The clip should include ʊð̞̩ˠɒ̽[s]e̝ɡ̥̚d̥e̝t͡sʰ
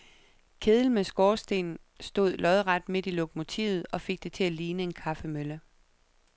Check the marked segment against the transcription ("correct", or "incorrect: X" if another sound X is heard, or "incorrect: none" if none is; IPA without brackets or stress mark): incorrect: f